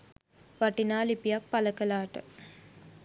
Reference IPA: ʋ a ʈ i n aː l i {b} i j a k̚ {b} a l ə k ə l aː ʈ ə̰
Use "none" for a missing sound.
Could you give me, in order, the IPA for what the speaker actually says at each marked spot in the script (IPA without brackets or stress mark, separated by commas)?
p, p